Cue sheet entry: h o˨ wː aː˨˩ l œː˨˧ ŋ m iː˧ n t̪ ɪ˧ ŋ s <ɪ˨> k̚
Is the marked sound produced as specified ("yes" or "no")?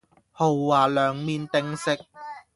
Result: no